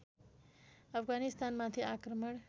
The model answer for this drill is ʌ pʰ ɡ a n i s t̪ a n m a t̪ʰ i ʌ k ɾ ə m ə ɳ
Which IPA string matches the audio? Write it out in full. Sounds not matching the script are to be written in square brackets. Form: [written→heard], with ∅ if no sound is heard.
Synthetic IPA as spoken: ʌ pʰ ɡ a n i s t̪ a n m a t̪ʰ i [ʌ→a] k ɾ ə m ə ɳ